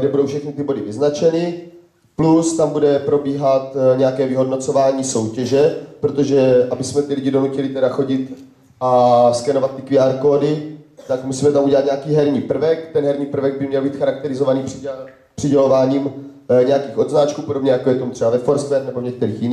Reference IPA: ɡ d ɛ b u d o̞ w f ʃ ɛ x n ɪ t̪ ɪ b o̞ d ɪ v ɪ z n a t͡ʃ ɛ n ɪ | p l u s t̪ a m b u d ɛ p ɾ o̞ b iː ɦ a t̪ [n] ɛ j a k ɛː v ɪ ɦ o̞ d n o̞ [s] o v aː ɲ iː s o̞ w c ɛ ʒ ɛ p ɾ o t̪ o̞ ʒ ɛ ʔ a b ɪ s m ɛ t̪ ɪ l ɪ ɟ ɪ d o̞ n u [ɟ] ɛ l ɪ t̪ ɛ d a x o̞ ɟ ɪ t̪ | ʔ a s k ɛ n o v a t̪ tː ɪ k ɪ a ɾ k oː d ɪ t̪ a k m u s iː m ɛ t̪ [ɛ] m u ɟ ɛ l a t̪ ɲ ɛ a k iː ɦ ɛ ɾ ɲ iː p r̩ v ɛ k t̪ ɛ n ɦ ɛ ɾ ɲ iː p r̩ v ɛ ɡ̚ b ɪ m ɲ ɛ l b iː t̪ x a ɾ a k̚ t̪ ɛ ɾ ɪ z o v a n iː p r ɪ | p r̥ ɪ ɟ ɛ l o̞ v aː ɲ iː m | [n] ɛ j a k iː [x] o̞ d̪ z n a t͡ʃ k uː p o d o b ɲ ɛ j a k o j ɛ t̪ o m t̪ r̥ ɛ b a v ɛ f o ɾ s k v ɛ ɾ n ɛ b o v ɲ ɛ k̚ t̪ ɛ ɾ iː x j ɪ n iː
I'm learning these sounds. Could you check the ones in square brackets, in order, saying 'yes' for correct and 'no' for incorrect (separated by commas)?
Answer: no, no, no, no, no, yes